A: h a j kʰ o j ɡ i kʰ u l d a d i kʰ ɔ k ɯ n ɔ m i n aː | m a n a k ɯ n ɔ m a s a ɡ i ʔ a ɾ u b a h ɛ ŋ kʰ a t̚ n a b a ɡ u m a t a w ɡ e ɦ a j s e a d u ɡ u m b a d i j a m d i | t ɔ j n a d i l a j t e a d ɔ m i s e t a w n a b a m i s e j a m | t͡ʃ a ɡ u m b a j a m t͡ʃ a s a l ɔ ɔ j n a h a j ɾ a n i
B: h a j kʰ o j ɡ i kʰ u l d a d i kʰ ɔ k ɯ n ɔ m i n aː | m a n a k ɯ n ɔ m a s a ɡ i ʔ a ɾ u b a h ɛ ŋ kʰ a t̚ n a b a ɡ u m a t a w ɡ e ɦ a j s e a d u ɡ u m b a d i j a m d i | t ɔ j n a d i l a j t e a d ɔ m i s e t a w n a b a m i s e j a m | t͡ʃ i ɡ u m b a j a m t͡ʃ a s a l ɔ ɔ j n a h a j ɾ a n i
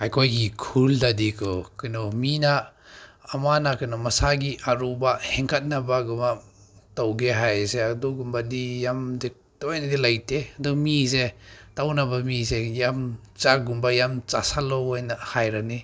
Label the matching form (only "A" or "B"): A